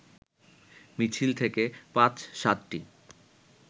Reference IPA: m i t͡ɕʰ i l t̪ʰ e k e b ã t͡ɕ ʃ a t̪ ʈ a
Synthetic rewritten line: m i t͡ɕʰ i l t̪ʰ e k e p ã t͡ɕ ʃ a t̪ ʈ i